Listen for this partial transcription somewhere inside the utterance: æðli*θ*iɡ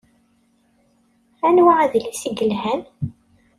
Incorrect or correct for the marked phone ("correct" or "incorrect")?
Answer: incorrect